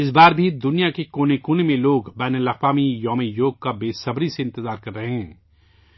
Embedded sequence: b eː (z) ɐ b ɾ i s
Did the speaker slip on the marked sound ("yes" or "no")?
yes